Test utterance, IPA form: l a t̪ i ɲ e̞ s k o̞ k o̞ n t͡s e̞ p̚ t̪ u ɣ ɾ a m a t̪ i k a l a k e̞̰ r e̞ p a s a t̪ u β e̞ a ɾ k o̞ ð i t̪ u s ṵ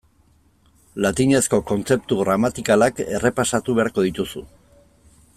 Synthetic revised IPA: l a t̪ i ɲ e̞ s k o̞ k o̞ n t͡s e̞ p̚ t̪ u ɣ ɾ a m a t̪ i k a l a k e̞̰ r e̞ p a s a t̪ u β e̞ a ɾ k o̞ ð i t̪ u s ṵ